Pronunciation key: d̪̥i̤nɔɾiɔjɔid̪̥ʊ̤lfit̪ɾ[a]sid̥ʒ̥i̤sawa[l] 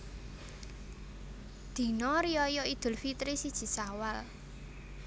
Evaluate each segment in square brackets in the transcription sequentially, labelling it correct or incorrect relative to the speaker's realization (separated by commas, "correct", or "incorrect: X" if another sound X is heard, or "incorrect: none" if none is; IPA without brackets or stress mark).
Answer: incorrect: i, correct